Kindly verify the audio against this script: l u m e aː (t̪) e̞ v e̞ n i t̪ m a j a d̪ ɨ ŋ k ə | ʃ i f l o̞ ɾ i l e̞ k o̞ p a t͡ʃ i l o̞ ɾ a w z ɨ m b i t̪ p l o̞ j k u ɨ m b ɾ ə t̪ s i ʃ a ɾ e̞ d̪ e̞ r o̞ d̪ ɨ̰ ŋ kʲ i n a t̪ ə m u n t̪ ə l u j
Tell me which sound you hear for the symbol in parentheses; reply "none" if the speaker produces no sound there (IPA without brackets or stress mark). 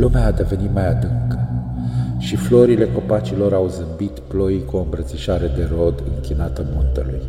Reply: d̪